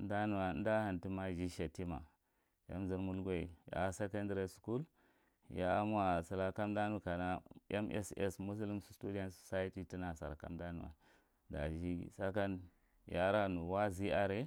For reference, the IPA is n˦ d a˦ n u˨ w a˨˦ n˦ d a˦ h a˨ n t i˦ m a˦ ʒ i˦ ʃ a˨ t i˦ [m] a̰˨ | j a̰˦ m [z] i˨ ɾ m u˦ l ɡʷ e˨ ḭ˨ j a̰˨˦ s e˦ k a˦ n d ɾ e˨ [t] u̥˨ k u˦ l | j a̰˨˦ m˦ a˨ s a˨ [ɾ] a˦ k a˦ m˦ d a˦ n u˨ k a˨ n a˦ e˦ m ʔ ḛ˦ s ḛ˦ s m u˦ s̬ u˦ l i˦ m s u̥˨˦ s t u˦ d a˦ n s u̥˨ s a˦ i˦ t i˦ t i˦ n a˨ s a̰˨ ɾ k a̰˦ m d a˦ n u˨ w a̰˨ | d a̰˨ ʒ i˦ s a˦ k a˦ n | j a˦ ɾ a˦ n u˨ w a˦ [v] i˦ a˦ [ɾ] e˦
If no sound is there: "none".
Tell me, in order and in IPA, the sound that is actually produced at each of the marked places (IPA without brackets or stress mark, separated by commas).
m, z, s, l, z, ɾ